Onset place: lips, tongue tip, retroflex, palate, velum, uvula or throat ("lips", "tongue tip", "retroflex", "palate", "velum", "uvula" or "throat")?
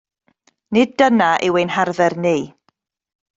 tongue tip